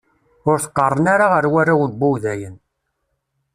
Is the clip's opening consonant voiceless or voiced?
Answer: voiced